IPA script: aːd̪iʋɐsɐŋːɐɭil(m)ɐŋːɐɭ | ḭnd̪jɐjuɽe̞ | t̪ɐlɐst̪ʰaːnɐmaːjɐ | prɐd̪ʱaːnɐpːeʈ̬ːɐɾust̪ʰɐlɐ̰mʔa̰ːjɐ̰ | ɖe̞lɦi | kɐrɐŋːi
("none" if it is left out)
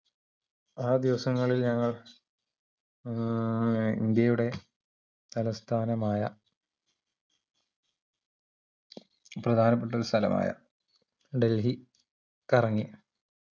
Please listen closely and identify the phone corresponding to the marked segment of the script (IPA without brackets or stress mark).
ɲ